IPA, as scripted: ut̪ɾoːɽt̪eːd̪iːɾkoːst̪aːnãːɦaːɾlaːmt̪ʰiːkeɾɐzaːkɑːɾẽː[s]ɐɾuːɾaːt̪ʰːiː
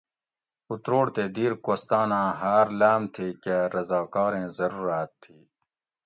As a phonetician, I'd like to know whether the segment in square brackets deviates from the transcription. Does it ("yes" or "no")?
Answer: yes